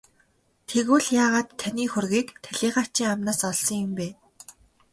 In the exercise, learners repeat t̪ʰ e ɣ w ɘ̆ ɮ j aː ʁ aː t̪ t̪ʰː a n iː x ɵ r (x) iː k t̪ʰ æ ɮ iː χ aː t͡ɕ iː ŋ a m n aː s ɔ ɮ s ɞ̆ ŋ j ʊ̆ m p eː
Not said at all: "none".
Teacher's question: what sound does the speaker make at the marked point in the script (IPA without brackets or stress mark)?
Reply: ɣ